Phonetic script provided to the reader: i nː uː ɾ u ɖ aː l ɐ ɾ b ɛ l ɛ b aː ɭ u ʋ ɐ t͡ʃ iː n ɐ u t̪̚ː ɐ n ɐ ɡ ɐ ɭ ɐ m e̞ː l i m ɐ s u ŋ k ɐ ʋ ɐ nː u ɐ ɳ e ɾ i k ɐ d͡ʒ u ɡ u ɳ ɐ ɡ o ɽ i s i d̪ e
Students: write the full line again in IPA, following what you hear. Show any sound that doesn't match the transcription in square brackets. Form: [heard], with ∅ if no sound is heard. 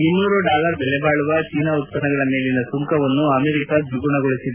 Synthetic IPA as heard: i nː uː ɾ u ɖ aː l ɐ ɾ b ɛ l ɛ b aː ɭ u ʋ ɐ t͡ʃ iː n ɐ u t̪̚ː ɐ n ɐ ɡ ɐ ɭ ɐ m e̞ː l i [n] ɐ s u ŋ k ɐ ʋ ɐ nː u ɐ [m] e ɾ i k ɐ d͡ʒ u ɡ u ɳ ɐ ɡ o [ɭ] i s i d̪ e